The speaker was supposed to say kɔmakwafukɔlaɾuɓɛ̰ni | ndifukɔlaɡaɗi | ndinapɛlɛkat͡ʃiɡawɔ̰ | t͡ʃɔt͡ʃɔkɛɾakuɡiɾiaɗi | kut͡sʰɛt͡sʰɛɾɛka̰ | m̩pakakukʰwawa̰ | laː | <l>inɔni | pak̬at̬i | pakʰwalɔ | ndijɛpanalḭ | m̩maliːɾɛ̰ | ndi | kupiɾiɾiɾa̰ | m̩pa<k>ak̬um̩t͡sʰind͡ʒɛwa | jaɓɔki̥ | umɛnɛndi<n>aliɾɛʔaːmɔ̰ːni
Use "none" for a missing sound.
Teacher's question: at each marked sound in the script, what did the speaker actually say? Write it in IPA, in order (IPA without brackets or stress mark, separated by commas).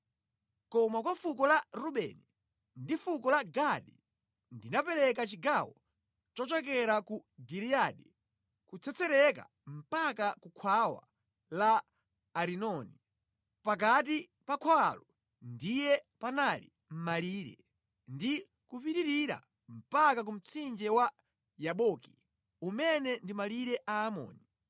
ɾ, k, m